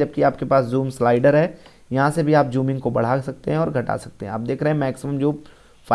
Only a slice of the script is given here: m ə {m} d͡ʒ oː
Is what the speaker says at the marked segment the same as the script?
yes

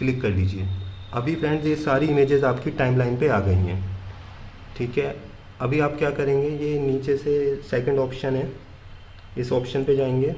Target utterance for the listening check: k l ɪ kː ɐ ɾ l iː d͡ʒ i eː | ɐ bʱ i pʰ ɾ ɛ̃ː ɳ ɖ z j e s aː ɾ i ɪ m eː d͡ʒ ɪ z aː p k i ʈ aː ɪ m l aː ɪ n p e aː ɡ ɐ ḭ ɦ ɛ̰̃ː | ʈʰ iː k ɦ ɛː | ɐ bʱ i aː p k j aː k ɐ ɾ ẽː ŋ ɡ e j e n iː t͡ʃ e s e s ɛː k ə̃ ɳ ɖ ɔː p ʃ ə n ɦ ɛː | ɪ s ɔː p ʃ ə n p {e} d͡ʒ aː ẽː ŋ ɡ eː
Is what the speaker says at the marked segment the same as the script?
yes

